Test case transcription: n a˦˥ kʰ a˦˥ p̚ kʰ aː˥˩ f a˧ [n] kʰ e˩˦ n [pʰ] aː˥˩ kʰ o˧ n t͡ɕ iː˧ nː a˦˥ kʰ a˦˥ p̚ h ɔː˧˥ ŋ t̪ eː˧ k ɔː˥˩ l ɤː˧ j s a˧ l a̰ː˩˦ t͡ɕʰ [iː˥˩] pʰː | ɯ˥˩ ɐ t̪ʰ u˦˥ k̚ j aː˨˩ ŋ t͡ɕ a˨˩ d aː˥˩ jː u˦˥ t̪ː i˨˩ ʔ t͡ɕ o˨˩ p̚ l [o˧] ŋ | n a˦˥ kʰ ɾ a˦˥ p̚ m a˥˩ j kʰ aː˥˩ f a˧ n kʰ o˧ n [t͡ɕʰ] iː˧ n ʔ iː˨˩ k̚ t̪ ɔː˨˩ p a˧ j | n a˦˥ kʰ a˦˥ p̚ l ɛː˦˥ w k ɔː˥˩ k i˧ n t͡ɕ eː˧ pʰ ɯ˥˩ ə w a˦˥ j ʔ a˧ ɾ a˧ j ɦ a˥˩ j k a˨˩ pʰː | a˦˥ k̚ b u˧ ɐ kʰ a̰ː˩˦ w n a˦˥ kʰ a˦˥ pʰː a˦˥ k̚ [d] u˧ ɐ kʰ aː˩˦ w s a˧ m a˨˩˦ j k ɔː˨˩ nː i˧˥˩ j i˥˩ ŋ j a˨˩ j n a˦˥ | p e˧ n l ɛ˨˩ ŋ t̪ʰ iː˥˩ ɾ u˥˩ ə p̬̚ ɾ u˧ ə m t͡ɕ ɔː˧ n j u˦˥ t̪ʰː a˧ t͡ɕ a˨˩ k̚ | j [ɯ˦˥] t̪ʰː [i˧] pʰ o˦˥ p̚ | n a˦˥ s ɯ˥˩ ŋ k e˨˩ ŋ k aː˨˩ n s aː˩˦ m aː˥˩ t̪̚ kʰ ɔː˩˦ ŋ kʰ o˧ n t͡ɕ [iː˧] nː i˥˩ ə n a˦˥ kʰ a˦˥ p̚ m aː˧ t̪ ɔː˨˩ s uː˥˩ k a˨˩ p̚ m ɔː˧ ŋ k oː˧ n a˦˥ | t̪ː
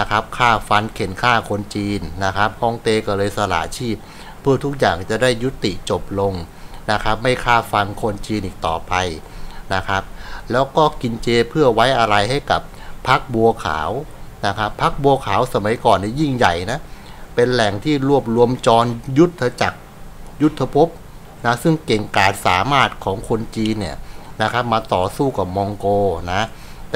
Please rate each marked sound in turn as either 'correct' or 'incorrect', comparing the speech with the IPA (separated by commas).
correct, incorrect, correct, correct, incorrect, incorrect, incorrect, incorrect, correct